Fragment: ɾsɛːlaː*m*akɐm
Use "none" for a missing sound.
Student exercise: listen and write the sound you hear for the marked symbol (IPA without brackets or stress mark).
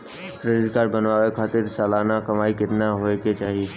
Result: n